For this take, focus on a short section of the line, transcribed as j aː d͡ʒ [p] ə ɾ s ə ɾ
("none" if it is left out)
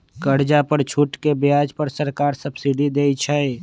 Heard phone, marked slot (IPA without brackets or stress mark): p